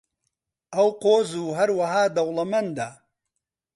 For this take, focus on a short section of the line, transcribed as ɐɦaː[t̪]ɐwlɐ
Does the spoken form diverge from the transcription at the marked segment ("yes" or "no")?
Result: yes